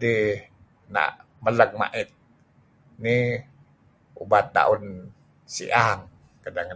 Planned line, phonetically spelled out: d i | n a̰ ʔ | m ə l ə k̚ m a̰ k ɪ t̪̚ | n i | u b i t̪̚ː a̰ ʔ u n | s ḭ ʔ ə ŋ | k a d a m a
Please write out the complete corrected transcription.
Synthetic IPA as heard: d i | n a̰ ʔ | m ə l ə k̚ m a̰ ʔ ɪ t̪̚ | n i | u b a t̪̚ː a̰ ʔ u n | s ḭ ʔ a ŋ | k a d a ŋ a